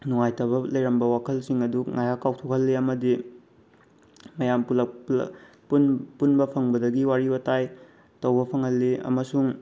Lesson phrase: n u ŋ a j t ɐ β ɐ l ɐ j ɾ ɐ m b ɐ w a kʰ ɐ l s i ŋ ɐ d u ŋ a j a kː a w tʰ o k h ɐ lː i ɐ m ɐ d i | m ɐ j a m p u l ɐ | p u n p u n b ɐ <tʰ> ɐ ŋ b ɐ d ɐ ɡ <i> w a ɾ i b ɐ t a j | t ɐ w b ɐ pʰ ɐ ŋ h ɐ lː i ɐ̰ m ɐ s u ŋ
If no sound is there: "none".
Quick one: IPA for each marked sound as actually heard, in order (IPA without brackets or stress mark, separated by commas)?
pʰ, i